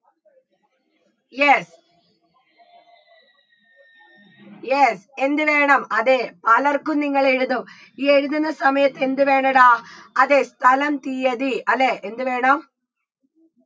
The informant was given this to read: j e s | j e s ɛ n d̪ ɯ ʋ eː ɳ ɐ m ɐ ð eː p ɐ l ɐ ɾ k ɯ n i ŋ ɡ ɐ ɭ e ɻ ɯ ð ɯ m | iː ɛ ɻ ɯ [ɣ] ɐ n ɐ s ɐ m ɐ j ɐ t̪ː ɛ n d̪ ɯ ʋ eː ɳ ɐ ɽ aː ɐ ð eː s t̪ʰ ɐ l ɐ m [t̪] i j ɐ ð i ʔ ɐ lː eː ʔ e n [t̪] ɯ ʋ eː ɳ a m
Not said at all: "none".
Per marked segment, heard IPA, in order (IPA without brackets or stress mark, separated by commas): ð, t̪, d̪